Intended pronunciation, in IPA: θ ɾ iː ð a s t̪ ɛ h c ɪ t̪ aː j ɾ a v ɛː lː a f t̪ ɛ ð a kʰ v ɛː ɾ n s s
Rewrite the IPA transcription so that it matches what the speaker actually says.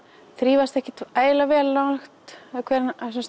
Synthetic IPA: θ ɾ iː v a s t̪ ɛ h c ɪ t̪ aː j l a v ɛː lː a x t̪ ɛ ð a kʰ v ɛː ɾ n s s